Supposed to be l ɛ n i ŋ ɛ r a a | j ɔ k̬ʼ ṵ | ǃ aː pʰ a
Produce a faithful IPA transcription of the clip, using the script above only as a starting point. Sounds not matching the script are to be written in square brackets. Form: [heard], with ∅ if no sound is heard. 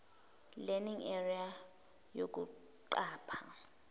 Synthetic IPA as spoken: l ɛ n i ŋ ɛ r [i] a | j [o] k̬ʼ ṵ | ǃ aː pʰ a

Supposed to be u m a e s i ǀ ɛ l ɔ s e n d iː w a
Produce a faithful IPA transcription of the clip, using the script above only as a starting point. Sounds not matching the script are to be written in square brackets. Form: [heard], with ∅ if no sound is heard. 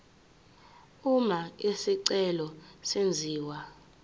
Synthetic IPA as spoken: u m a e s i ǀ ɛ l ɔ s e n [d͡zʱ] iː w a

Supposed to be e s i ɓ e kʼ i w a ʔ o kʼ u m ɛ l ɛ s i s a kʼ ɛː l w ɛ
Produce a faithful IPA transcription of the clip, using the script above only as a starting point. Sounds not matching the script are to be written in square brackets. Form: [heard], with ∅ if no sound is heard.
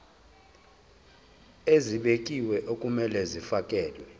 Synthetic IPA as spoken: e [z] i ɓ e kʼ i w [ɛ] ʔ o kʼ u m ɛ l ɛ [z] i [f] a kʼ ɛː l w ɛ

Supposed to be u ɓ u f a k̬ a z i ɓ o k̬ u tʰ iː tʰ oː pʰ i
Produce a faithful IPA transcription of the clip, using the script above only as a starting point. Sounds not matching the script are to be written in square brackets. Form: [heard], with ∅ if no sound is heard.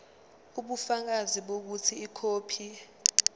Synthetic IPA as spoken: u ɓ u f a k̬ a z i ɓ o k̬ u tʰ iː [kʰ] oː pʰ i

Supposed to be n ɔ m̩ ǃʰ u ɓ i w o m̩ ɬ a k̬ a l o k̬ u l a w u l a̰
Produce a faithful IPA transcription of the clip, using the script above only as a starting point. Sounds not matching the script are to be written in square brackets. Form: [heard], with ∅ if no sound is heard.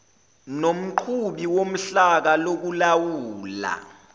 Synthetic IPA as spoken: n [o] m̩ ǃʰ u ɓ i w o m̩ ɬ a k̬ a l o k̬ u l a w [uː] l a̰

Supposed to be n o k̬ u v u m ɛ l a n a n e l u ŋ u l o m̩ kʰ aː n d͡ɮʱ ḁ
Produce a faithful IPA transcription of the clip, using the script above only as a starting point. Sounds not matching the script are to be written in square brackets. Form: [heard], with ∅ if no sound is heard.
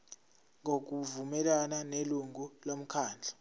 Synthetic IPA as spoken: [ŋ] o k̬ u v u m ɛ l a n a n e l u ŋ u l o m̩ kʰ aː n d͡ɮʱ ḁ

